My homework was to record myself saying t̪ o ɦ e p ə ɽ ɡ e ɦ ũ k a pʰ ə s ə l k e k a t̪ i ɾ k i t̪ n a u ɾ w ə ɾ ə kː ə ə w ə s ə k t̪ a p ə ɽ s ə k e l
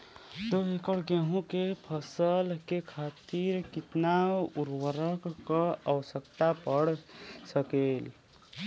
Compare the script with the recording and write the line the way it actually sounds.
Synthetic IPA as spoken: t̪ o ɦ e k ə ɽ ɡ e ɦ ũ k e pʰ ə s ə l k e kʰ a t̪ i ɾ k i t̪ n a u ɾ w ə ɾ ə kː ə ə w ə s ə k t̪ a p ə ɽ s ə k e l